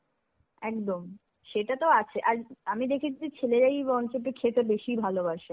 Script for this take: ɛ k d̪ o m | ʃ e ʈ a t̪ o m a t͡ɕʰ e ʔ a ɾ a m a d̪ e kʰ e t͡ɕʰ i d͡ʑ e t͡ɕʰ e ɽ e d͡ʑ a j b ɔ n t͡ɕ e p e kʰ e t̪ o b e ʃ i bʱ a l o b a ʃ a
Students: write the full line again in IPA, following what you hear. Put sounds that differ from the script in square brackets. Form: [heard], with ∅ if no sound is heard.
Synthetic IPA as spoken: ɛ k d̪ o m | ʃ e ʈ a t̪ o [∅] a t͡ɕʰ e ʔ a ɾ a m [i] d̪ e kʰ e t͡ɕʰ i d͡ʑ e t͡ɕʰ e [l] e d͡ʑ a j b ɔ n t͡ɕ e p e kʰ e t̪ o b e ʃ i bʱ a l o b a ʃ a